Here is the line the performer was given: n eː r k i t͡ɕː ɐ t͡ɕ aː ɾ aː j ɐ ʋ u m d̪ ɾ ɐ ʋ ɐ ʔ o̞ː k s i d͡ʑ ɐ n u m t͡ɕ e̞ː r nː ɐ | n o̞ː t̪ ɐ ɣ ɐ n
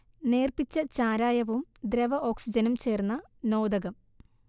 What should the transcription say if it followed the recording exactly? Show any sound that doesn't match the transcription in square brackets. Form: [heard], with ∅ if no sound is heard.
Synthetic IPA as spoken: n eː r [p] i t͡ɕː ɐ t͡ɕ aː ɾ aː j ɐ ʋ u m d̪ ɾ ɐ ʋ ɐ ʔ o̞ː k s i d͡ʑ ɐ n u m t͡ɕ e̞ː r nː ɐ | n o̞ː [d̪] ɐ ɣ ɐ [m]